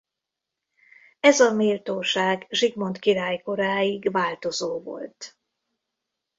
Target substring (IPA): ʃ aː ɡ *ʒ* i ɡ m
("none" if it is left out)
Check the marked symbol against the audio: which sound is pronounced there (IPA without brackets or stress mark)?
ʒ